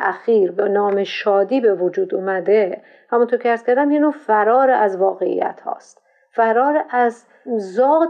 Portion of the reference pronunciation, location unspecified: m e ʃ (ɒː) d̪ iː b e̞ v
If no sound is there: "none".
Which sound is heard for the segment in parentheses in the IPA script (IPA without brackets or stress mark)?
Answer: ɒː